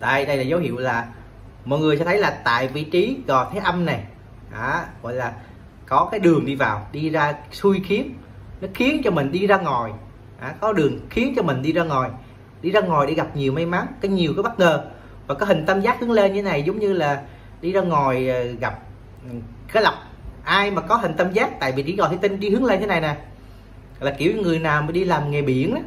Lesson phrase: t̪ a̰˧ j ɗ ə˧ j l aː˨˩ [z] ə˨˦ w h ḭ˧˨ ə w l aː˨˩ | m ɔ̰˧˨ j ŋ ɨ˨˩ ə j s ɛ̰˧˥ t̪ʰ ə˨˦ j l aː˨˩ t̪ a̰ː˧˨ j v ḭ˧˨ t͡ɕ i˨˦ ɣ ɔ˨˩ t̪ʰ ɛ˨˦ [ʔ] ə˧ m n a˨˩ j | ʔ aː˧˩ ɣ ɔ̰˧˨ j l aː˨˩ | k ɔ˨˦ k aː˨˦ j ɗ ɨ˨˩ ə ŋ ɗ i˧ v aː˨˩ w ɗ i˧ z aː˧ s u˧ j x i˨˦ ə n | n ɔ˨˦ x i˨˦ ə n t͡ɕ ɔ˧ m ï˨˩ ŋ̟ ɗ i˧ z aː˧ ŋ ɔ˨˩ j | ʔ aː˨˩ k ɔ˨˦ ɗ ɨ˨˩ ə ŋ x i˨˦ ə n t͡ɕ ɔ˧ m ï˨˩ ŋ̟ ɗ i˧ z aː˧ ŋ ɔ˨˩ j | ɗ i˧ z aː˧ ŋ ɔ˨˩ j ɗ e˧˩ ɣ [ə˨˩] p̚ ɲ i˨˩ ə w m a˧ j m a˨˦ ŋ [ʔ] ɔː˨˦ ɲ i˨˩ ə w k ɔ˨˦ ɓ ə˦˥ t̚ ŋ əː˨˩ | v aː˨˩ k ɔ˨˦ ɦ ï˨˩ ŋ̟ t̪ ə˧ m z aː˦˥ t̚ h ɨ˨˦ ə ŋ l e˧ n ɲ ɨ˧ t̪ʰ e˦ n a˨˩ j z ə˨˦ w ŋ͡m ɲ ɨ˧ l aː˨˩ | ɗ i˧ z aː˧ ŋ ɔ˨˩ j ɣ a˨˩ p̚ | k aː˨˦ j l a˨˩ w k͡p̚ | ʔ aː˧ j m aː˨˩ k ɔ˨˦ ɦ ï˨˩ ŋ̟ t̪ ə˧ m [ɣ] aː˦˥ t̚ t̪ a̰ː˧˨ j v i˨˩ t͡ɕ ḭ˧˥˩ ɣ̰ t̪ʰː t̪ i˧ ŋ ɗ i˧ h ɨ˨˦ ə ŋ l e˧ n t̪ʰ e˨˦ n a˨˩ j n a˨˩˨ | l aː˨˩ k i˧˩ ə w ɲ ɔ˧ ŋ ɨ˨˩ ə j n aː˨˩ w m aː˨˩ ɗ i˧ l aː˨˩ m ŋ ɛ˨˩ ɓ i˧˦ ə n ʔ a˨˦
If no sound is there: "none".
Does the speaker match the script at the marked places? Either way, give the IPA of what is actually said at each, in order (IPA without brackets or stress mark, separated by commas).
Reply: z, ʔ, a˨˩, k, z